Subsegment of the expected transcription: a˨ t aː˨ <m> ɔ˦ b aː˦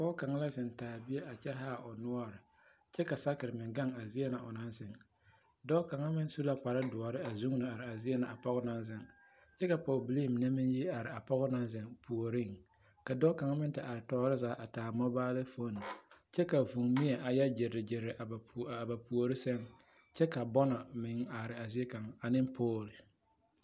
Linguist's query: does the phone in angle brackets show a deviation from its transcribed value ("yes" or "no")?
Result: no